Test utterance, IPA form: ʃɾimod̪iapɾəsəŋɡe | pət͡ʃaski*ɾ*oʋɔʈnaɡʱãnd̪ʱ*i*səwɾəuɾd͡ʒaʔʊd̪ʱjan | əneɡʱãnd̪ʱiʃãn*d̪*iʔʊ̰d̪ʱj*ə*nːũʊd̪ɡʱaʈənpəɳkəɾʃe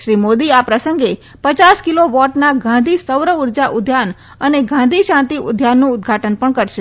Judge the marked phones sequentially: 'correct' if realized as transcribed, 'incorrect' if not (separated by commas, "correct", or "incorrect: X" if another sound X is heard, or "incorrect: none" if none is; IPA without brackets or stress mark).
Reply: incorrect: l, correct, incorrect: t̪, incorrect: a